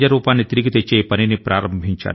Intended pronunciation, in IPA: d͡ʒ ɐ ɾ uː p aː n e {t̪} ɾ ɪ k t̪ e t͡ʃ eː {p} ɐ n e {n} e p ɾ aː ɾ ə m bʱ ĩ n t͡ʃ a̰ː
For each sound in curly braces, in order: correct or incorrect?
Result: correct, correct, correct

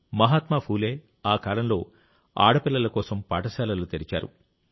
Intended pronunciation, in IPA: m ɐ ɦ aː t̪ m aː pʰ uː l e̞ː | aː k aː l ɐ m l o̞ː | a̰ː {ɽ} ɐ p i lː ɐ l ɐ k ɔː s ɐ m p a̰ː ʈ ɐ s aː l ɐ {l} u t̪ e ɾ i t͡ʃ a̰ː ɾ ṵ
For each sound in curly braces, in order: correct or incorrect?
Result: correct, correct

